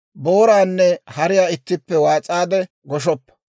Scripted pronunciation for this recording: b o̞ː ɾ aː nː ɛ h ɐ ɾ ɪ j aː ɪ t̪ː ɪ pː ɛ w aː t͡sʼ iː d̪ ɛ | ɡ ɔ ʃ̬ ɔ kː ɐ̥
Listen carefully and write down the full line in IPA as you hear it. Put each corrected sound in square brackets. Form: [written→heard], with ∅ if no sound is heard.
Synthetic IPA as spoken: b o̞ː ɾ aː nː ɛ h ɐ ɾ ɪ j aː ɪ t̪ː ɪ pː ɛ w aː t͡sʼ [iː→aː] d̪ ɛ | ɡ ɔ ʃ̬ ɔ [kː→pː] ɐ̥